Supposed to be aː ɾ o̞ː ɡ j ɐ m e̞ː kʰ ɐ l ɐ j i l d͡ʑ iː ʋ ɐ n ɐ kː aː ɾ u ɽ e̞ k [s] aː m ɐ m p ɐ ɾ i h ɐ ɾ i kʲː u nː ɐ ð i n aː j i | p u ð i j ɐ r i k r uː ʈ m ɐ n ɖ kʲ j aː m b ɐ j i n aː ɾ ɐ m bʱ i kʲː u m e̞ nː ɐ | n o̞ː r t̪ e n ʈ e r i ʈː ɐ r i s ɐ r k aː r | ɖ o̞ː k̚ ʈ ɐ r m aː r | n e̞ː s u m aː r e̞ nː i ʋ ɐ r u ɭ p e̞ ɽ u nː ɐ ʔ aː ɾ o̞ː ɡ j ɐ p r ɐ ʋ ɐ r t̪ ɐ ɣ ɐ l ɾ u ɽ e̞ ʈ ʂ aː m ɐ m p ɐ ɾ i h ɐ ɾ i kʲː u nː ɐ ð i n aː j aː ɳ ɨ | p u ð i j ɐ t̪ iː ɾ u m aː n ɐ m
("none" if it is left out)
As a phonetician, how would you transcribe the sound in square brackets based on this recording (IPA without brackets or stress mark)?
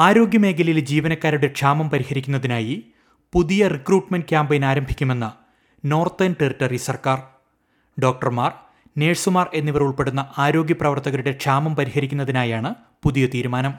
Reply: ʂ